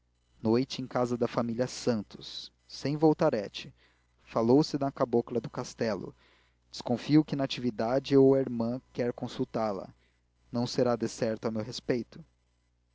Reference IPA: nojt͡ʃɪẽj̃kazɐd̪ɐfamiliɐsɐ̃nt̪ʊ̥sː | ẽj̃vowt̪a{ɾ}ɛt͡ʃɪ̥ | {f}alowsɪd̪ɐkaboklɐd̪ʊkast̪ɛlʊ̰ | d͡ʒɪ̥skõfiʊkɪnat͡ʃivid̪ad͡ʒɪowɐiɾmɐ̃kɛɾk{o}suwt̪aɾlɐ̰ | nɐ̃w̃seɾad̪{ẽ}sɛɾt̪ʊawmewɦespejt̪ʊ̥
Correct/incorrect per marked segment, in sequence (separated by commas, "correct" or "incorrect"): correct, correct, incorrect, incorrect